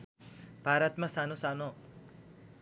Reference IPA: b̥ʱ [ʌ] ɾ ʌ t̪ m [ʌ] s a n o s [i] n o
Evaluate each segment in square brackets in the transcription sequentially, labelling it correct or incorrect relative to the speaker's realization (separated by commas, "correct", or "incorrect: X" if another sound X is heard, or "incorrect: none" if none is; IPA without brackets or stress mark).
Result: incorrect: a, incorrect: a, incorrect: a